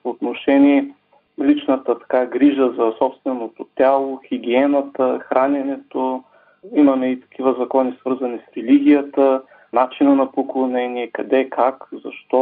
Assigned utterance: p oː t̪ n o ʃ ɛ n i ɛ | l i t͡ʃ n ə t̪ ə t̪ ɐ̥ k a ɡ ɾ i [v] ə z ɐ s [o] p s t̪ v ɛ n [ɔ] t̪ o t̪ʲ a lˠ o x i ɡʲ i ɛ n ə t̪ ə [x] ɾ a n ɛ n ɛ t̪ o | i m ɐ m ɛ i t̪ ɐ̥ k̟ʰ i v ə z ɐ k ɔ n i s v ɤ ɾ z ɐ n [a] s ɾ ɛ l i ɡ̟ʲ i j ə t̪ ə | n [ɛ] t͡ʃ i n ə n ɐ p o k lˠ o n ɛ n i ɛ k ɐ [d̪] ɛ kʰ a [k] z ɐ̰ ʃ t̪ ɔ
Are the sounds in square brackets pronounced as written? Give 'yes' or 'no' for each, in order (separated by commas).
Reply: no, no, no, yes, no, no, yes, yes